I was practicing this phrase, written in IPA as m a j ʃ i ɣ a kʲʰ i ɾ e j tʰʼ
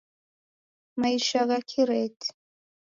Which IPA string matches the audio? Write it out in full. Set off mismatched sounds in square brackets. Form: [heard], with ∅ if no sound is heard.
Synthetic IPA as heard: m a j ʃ [a] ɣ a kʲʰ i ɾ e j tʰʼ